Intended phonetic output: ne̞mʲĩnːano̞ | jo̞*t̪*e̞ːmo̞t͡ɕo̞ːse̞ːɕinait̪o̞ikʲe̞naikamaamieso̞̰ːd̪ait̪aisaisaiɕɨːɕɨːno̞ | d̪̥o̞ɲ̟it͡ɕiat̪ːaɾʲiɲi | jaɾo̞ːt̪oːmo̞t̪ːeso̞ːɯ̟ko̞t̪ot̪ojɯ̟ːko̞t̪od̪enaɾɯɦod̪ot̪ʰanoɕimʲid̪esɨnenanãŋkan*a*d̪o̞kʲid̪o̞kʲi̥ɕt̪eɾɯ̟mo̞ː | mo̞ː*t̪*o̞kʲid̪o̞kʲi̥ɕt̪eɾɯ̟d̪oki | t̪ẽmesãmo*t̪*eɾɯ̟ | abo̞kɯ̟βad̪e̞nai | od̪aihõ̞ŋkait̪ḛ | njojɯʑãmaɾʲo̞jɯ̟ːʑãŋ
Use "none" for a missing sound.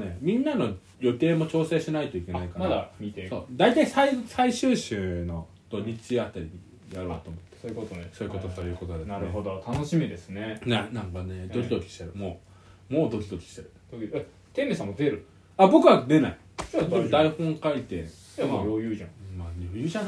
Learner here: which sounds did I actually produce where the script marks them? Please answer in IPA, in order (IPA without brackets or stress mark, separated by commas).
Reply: t̪, e, d̪, d̪